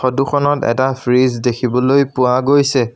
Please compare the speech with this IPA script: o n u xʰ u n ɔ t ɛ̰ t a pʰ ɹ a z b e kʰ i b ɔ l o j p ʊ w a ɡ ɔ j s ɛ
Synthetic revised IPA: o d u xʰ ɔ n ɔ t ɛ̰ t a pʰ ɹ i z d e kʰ i b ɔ l o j p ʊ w a ɡ o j s ɛ